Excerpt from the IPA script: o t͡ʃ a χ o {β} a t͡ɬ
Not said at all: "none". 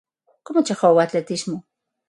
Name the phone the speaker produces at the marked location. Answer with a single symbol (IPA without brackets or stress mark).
w